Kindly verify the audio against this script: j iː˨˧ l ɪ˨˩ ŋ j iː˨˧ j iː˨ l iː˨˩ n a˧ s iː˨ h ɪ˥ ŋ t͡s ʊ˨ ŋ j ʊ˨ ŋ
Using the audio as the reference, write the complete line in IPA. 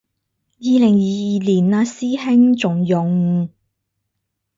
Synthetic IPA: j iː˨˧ l ɪ˨˩ ŋ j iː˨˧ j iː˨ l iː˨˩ n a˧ s iː˥ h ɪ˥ ŋ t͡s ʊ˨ ŋ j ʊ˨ ŋ